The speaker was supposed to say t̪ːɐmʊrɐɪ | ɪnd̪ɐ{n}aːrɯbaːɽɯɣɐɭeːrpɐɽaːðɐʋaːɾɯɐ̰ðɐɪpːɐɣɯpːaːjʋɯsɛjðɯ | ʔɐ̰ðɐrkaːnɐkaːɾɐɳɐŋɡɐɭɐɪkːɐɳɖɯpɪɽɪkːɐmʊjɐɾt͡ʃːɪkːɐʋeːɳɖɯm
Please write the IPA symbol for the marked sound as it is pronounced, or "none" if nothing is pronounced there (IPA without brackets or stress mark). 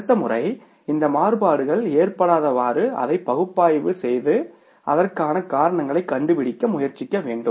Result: m